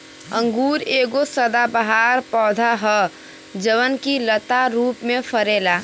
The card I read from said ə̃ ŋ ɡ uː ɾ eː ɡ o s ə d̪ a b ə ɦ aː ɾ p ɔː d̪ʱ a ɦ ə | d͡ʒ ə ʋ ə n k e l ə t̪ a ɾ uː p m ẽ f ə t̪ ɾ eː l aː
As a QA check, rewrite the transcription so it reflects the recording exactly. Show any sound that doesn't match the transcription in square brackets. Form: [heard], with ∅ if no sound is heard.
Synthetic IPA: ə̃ ŋ ɡ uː ɾ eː ɡ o s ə d̪ a b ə ɦ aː ɾ p ɔː d̪ʱ a ɦ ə | d͡ʒ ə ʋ ə n k [i] l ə t̪ a ɾ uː p m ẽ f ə [∅] ɾ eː l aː